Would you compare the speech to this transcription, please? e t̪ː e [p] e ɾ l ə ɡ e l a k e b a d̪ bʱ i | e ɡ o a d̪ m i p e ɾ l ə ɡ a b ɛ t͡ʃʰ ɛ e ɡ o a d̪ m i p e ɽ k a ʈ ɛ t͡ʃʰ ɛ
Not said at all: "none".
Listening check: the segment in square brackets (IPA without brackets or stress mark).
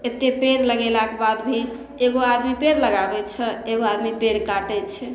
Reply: p